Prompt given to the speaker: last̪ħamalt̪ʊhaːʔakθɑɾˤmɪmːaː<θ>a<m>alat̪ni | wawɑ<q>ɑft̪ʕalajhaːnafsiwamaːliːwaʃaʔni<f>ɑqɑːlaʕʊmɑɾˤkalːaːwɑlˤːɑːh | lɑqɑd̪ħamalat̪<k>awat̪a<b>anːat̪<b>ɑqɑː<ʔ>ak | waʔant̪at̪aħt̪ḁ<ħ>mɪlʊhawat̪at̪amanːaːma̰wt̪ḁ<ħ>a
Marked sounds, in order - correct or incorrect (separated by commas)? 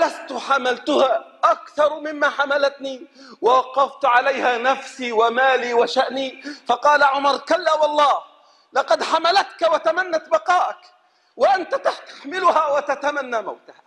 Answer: incorrect, correct, correct, correct, correct, incorrect, correct, correct, correct, incorrect